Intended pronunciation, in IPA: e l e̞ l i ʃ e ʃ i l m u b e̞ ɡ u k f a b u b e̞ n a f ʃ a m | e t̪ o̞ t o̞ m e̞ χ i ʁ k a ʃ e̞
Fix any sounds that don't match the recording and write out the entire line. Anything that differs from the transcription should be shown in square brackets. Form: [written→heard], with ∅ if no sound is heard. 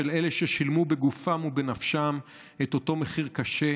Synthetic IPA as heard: e l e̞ l [i→e] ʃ e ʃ i l m u b e̞ ɡ u [k→∅] f a [b→m] u b e̞ n a f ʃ a m | e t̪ o̞ t o̞ m e̞ χ i ʁ k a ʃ e̞